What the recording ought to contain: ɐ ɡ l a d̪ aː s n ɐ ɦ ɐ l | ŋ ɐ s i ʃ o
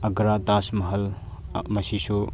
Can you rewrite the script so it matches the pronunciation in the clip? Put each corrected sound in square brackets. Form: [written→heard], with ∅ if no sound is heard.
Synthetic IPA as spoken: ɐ ɡ [l→ɾ] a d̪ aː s [n→m] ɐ ɦ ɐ l | [ŋ→m] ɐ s i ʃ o